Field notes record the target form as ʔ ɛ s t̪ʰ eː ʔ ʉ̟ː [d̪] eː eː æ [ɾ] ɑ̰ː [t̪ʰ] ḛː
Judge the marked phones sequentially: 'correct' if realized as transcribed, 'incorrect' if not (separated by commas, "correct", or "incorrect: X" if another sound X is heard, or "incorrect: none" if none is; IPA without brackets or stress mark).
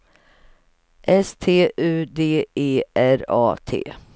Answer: correct, correct, correct